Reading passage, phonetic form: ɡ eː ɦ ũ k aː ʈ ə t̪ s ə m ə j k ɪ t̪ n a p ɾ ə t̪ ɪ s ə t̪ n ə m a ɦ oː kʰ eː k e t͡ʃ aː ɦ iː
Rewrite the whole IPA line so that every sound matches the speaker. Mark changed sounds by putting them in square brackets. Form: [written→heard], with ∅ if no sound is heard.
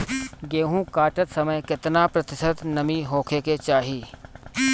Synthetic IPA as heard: ɡ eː ɦ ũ k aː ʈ ə t̪ s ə m ə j k ɪ t̪ n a p ɾ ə t̪ ɪ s ə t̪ n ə m [a→i] ɦ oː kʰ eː k e t͡ʃ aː ɦ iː